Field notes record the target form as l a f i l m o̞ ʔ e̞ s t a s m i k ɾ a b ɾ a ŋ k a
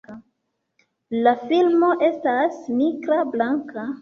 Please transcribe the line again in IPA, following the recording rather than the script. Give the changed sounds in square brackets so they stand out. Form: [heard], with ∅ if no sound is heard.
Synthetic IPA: l a f i l m o̞ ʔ e̞ s t a s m i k ɾ a b [l] a ŋ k a